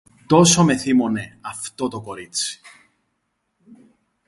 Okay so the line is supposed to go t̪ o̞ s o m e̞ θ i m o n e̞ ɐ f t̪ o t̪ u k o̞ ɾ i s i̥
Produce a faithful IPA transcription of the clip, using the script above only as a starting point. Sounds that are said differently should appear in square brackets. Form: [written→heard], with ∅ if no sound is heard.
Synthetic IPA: t̪ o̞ s o m e̞ θ i m o n e̞ ɐ f t̪ o t̪ [u→o] k o̞ ɾ i [s→t͡s] i̥